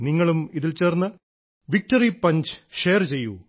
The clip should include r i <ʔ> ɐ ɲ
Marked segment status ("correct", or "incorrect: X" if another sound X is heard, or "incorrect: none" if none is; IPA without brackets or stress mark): incorrect: p